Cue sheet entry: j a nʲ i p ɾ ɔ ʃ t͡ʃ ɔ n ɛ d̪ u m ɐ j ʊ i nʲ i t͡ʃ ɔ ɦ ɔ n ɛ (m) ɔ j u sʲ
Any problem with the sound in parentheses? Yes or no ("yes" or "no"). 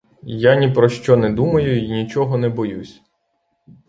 yes